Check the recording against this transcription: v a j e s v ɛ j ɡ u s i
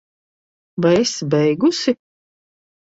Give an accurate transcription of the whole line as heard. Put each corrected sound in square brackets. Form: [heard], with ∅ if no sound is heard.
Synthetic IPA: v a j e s [b] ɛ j ɡ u s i